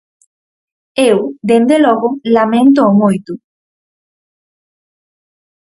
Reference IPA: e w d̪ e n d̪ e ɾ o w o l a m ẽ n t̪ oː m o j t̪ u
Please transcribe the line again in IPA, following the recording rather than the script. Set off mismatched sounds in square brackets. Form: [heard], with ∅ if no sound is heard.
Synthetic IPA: e w d̪ e n d̪ e [l] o [ɣ] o l a m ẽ n t̪ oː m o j t̪ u